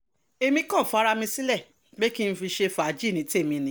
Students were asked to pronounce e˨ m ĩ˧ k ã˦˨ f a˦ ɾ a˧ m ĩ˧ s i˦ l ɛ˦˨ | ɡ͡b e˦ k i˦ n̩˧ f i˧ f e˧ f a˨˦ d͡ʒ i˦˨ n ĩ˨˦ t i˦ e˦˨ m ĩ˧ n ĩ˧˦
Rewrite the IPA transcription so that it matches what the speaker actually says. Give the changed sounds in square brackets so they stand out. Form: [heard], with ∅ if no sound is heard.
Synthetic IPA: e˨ m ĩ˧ k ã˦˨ f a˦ ɾ a˧ m ĩ˧ s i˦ l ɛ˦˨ | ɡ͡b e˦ k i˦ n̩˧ f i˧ [ʃ] e˧ f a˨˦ d͡ʒ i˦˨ n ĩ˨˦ t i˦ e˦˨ m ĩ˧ n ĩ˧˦